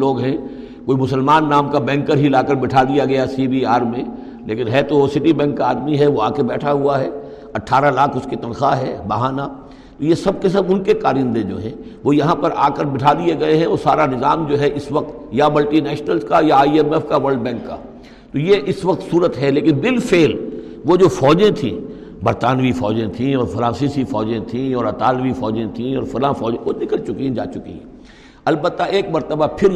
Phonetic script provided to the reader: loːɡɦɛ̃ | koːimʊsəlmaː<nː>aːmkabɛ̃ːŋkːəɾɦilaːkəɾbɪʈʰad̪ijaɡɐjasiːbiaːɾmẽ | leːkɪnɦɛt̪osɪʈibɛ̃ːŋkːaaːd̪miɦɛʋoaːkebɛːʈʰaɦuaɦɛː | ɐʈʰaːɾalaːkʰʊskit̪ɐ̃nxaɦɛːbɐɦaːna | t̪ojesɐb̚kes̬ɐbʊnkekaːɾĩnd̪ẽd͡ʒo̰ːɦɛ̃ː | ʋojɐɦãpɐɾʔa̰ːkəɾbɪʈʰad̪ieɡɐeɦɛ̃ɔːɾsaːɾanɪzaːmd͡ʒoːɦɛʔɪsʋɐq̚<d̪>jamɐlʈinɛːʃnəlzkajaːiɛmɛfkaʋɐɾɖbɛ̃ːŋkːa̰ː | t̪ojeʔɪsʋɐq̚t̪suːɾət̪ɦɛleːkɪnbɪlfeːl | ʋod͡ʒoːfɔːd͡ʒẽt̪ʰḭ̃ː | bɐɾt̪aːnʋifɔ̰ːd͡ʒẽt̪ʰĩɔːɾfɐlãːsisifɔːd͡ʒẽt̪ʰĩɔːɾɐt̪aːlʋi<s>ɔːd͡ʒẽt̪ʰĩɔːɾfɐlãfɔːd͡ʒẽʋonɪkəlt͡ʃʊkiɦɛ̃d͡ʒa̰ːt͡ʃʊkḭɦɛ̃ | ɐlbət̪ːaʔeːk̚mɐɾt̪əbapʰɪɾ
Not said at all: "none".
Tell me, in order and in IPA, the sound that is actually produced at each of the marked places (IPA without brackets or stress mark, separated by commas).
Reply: nː, t̪, f